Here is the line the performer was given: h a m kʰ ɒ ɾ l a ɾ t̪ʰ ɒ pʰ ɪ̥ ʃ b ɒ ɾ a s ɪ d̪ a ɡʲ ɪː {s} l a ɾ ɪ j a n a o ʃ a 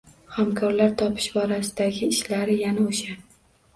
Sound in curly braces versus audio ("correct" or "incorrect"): incorrect